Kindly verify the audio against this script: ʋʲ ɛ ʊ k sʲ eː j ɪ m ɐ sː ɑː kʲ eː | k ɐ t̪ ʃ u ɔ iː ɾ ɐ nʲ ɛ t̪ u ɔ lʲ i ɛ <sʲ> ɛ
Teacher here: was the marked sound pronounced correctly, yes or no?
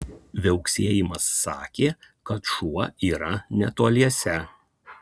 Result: yes